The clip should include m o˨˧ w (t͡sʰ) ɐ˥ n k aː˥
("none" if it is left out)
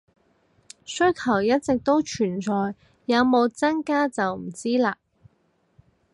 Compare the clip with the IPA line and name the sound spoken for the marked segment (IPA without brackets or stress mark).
t͡s